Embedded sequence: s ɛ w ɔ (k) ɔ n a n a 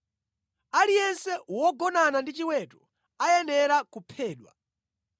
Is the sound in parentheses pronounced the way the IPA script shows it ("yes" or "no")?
no